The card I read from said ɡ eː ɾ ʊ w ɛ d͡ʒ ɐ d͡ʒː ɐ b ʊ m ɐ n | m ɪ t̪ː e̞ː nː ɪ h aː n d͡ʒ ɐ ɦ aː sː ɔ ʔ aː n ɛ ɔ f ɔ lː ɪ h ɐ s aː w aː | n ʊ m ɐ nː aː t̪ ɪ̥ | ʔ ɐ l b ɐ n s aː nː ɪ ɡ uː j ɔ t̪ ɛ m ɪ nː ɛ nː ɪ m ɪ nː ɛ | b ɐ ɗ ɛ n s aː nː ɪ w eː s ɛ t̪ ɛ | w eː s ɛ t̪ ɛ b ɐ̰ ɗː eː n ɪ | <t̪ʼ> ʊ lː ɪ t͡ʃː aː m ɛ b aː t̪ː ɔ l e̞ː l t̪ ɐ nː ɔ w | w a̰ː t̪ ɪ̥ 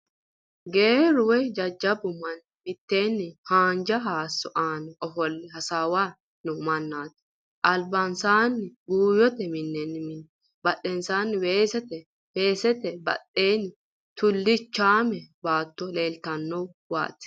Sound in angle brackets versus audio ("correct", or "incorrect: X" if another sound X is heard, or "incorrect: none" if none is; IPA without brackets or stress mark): incorrect: t̪